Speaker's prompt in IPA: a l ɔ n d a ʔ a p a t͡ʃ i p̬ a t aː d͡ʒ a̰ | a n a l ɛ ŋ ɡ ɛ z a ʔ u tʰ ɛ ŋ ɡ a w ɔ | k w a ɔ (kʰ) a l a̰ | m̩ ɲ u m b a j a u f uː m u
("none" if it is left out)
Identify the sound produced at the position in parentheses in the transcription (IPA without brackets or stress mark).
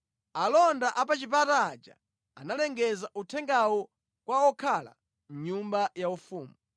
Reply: kʰ